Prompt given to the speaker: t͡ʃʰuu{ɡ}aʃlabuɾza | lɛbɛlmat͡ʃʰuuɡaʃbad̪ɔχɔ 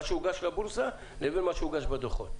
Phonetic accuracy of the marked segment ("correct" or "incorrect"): correct